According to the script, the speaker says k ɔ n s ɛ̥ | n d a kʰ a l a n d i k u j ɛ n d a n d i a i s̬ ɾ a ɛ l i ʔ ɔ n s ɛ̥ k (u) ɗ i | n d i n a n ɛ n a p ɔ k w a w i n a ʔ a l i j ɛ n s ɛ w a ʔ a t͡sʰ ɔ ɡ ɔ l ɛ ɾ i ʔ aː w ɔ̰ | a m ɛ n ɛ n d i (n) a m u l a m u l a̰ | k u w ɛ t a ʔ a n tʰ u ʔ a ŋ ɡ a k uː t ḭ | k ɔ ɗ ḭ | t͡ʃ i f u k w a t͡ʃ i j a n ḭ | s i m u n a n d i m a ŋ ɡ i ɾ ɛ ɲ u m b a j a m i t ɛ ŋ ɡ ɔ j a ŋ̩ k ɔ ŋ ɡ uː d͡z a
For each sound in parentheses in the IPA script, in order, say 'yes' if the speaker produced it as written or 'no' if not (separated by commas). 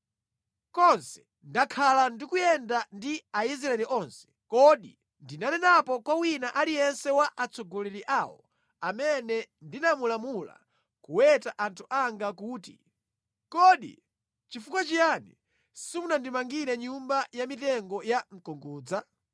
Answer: no, yes